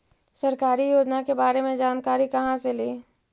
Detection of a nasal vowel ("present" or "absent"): present